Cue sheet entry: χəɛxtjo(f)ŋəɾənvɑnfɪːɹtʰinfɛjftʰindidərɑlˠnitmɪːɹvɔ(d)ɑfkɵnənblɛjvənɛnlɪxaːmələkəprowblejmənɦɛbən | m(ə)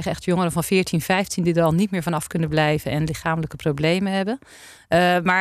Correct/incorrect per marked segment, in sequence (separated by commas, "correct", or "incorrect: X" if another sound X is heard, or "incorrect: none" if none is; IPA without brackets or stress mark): incorrect: none, incorrect: n, incorrect: a